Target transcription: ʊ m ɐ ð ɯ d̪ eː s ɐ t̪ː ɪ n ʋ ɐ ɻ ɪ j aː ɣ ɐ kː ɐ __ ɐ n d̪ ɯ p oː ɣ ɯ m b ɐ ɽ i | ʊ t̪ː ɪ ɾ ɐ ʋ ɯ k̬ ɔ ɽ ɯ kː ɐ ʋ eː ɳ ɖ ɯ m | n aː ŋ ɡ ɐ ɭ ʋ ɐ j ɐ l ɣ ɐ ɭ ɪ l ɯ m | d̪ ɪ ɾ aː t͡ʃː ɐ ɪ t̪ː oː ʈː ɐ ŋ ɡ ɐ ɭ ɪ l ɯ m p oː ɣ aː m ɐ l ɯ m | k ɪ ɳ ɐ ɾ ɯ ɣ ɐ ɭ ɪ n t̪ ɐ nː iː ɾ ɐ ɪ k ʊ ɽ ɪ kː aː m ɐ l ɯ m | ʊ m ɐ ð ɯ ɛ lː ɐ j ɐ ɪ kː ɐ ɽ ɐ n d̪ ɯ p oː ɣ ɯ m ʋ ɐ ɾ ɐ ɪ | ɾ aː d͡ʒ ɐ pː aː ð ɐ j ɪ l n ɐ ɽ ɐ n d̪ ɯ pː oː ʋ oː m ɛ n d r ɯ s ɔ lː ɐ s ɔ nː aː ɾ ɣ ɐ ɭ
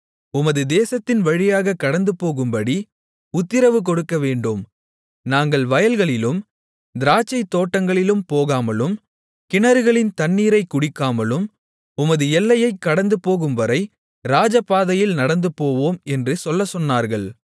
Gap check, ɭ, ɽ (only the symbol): ɽ